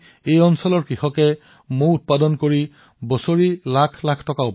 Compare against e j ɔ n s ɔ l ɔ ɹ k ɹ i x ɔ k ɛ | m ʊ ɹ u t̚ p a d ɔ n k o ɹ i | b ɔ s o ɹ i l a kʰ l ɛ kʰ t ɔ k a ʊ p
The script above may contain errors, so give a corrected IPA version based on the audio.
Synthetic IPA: e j ɔ n s ɔ l ɔ ɹ k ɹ i x ɔ k ɛ | m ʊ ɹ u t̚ p a d ɔ n k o ɹ i | b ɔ s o ɹ i l a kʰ l a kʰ t ɔ k a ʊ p